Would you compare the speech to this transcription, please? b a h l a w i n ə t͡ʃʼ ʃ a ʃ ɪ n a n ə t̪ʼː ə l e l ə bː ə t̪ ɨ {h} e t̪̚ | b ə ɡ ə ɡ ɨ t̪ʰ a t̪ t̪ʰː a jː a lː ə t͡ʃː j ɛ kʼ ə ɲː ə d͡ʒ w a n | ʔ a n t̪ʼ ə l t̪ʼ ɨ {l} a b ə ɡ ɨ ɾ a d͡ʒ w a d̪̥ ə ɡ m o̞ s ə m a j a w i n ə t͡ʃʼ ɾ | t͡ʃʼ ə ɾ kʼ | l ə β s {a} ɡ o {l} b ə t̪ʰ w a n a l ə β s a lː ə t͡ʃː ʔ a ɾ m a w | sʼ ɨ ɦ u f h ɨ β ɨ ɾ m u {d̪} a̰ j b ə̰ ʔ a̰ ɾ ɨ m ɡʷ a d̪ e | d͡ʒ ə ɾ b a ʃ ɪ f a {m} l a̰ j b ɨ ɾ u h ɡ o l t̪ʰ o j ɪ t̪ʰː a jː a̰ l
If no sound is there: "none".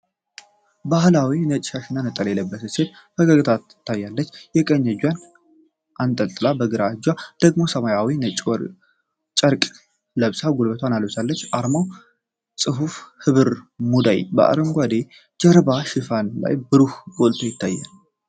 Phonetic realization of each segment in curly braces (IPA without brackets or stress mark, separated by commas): s, l, a, l, d̪, n